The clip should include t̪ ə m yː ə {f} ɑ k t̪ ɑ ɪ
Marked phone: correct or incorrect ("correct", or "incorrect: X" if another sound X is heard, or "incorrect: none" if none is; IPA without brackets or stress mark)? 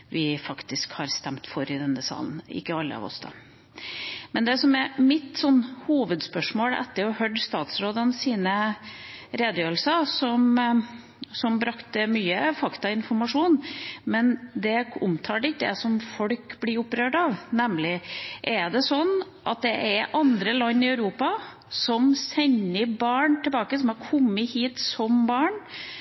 correct